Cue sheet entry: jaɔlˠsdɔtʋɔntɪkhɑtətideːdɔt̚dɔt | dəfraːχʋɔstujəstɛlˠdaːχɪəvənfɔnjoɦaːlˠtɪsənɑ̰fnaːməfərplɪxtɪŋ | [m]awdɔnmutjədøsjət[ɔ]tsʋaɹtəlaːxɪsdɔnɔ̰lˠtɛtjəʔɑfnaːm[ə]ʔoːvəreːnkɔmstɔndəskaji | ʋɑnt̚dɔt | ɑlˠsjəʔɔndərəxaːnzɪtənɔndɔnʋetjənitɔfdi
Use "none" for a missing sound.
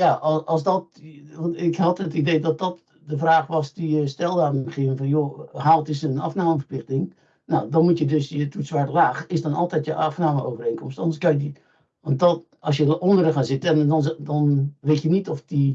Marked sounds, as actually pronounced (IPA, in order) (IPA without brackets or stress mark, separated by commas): n, u, ə